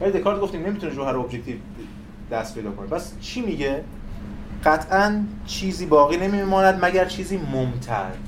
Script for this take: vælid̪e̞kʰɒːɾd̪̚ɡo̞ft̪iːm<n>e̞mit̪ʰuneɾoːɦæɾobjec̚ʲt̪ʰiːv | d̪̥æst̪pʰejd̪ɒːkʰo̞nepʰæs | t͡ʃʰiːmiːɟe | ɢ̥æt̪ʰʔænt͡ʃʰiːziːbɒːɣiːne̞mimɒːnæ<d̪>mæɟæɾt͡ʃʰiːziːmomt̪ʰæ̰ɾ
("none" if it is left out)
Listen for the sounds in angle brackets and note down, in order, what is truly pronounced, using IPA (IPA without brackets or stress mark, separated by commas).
n, d̪